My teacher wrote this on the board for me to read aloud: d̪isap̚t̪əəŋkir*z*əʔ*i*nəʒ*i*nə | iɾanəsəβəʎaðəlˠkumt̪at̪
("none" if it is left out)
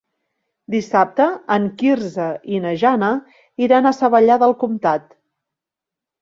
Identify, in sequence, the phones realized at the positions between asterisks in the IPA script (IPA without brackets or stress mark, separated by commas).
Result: z, i, a